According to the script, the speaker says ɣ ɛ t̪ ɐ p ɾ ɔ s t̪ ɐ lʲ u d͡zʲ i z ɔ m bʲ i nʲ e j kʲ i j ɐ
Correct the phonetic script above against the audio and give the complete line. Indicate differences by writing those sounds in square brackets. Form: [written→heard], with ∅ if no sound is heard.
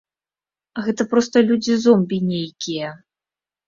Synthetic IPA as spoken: ɣ ɛ t̪ ɐ p ɾ ɔ s t̪ ɐ lʲ u d͡zʲ i z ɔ m bʲ i nʲ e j kʲ i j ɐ